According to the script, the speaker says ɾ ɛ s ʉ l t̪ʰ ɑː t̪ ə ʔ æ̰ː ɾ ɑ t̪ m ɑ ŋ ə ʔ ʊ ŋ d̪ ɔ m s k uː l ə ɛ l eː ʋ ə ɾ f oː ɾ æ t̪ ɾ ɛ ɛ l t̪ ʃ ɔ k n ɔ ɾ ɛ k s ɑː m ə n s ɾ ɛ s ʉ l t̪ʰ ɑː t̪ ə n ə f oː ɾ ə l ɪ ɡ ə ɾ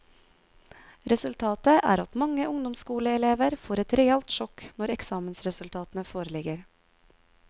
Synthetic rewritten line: ɾ ɛ s ʉ l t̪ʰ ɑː t̪ ə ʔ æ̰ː ɾ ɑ t̪ m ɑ ŋ ə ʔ ʊ ŋ d̪ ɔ m s k uː l ə ɛ l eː ʋ ə ɾ f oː ɾ ɛ t̪ ɾ ɛ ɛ l t̪ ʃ ɔ k n ɔ ɾ ɛ k s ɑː m ə n s ɾ ɛ s ʉ l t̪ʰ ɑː t̪ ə n ə f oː ɾ ə l ɪ ɡ ə ɾ